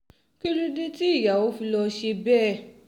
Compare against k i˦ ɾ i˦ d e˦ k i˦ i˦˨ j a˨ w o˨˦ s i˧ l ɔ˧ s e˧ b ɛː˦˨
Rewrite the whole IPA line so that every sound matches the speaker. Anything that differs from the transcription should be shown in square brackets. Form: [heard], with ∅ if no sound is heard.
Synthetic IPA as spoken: k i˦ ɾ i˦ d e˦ [t] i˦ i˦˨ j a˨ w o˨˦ [f] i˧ l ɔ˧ [ʃ] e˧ b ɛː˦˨